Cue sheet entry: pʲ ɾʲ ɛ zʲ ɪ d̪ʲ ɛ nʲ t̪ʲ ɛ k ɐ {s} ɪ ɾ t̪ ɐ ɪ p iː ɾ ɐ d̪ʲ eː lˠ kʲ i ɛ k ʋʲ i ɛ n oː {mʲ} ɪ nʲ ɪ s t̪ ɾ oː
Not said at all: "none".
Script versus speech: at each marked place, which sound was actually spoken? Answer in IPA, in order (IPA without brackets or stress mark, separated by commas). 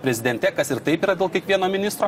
s, mʲ